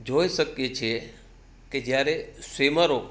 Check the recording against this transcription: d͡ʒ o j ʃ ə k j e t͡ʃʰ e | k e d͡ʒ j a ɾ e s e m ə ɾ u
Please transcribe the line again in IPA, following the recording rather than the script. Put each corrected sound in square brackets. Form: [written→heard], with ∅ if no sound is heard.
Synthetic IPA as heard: d͡ʒ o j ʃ ə k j e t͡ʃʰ e | k e d͡ʒ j a ɾ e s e m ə ɾ [u→o]